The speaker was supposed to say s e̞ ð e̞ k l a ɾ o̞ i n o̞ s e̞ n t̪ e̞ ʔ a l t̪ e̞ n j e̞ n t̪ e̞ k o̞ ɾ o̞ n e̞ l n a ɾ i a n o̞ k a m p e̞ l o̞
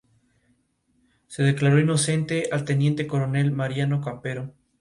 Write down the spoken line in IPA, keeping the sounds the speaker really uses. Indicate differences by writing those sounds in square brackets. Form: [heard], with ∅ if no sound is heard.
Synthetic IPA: s e̞ ð e̞ k l a ɾ o̞ i n o̞ s e̞ n t̪ e̞ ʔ a l t̪ e̞ n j e̞ n t̪ e̞ k o̞ ɾ o̞ n e̞ l [m] a ɾ [j] a n o̞ k a m p e̞ [ɾ] o̞